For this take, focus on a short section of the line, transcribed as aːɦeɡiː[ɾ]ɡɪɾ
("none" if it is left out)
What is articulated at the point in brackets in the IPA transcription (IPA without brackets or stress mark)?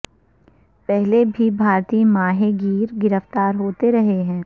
ɾ